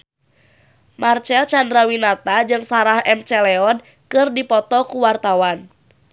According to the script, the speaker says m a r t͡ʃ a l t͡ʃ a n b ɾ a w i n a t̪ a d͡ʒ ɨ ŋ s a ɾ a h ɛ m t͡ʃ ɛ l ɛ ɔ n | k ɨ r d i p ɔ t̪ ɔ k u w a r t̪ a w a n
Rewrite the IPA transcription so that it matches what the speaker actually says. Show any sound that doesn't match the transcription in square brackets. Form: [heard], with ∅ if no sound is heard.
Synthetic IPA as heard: m a r t͡ʃ [ɛ] l t͡ʃ a n [d] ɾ a w i n a t̪ a d͡ʒ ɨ ŋ s a ɾ a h ɛ m t͡ʃ ɛ l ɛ ɔ n | k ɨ r d i p ɔ t̪ ɔ k u w a r t̪ a w a n